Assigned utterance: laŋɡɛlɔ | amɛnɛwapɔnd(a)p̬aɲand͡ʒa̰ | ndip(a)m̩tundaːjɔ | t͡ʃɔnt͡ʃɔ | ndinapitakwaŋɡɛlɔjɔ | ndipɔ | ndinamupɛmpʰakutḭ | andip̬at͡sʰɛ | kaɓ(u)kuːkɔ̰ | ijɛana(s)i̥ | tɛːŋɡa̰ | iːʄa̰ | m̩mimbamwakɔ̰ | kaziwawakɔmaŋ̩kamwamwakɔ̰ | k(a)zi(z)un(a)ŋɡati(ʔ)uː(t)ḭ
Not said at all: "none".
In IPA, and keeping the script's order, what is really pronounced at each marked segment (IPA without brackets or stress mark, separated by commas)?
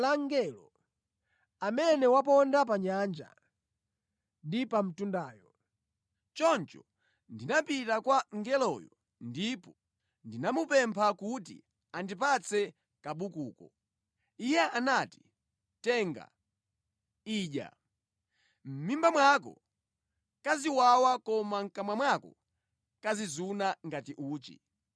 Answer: a, a, u, t, a, z, a, ʔ, t͡ʃ